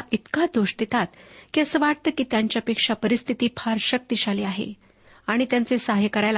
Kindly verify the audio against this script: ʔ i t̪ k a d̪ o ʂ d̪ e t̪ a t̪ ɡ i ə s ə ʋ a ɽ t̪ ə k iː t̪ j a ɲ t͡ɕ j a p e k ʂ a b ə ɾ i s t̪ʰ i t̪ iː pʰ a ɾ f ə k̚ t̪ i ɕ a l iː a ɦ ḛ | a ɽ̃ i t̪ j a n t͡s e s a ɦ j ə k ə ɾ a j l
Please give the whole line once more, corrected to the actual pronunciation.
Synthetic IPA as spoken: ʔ i t̪ k a d̪ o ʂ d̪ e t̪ a t̪ k i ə s ə ʋ a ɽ t̪ ə k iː t̪ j a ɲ t͡ɕ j a p e k ʂ a p ə ɾ i s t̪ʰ i t̪ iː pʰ a ɾ ɕ ə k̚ t̪ i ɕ a l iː a ɦ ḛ | a ɽ̃ i t̪ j a n t͡s e s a ɦ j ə k ə ɾ a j l